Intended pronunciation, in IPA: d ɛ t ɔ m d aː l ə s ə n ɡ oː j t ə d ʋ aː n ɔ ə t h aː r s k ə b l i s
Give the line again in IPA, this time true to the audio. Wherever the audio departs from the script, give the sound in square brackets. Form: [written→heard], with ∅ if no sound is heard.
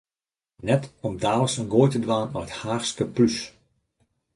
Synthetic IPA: [d→n] ɛ t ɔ m d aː l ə s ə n ɡ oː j t ə d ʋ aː n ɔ ə t h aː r s k ə [b→p] l [i→y] s